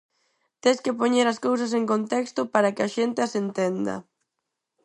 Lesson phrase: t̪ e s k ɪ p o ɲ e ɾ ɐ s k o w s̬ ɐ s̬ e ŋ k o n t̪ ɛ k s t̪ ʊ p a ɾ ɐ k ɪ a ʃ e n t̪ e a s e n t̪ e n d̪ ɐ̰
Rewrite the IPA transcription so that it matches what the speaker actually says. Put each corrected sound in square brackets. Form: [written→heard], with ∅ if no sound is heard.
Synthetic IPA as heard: t̪ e s k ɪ p o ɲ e ɾ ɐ s k o w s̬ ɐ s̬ e ŋ k o n t̪ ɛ k s t̪ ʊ p a ɾ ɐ k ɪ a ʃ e n t̪ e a s e n t̪ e n d̪ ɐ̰